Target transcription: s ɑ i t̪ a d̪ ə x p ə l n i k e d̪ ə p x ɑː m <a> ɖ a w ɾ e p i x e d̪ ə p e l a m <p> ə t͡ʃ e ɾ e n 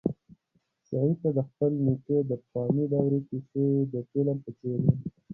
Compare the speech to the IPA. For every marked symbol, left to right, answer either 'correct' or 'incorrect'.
incorrect: i, correct

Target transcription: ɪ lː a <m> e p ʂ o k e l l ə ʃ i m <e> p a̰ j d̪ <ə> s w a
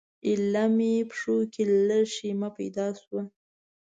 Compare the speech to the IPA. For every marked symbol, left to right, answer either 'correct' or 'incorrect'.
correct, incorrect: a, incorrect: ɑ

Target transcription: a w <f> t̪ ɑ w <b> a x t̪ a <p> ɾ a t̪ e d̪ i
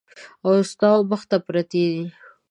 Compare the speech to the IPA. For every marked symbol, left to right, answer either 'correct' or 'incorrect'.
incorrect: s, correct, correct

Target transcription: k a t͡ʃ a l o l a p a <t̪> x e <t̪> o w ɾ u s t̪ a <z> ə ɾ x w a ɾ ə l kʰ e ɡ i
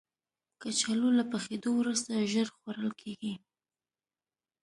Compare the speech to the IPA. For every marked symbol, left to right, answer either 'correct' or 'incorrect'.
incorrect: none, incorrect: d̪, incorrect: ʒ

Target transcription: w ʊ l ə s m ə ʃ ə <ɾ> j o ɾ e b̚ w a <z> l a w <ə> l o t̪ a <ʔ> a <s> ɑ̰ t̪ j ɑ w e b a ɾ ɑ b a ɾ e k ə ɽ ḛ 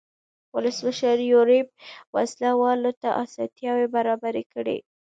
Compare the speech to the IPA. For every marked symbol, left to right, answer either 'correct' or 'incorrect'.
correct, incorrect: s, incorrect: ɑ, correct, correct

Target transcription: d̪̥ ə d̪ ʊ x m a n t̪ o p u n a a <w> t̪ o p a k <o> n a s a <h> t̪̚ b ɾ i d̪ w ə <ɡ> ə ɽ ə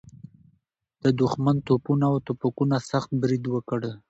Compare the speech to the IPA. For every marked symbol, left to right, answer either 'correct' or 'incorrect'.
correct, incorrect: u, incorrect: x, incorrect: k

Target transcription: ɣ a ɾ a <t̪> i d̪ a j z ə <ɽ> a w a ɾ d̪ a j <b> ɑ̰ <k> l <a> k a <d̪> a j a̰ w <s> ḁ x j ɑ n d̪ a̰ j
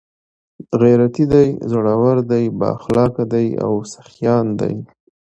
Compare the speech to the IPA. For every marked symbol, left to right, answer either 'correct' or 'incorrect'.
correct, correct, correct, incorrect: x, incorrect: ɑ, correct, correct

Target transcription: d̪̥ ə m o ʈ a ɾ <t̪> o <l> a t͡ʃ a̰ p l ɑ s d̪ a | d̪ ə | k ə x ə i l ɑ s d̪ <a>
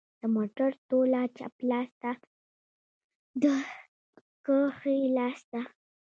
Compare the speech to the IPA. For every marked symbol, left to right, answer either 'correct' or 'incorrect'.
correct, correct, correct

